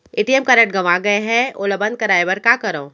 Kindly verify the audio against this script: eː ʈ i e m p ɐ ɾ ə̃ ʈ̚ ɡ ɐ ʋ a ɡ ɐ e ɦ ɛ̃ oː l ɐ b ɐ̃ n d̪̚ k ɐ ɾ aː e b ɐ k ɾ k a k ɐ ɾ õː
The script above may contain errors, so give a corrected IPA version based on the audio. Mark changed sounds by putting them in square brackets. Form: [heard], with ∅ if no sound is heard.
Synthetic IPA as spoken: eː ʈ i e m [k] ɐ ɾ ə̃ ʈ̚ ɡ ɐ ʋ a ɡ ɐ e ɦ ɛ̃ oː l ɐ b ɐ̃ n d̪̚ k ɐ ɾ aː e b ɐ [∅] ɾ k a k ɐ ɾ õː